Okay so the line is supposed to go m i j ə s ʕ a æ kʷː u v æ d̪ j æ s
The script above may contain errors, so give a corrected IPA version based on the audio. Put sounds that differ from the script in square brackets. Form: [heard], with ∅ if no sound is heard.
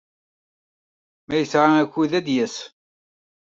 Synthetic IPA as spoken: m [æ] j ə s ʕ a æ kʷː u [ð] æ d̪ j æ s